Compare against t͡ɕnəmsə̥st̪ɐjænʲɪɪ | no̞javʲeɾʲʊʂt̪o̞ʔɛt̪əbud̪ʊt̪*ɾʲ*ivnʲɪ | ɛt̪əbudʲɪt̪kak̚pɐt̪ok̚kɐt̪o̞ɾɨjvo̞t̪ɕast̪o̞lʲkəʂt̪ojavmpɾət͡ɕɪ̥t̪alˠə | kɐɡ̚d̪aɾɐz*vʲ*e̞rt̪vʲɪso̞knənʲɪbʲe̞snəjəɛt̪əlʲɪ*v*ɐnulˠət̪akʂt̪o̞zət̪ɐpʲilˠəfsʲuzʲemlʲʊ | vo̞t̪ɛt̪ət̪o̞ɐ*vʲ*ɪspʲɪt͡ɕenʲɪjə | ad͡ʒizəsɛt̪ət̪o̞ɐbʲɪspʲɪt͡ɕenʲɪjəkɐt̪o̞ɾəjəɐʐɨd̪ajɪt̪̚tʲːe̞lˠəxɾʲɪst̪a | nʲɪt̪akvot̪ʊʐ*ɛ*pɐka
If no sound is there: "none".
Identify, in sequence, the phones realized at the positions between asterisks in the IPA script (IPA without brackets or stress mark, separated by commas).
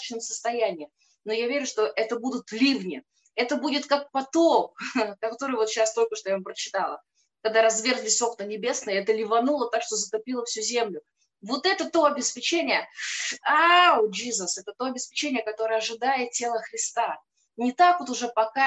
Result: lʲ, vʲ, v, bʲ, ɛ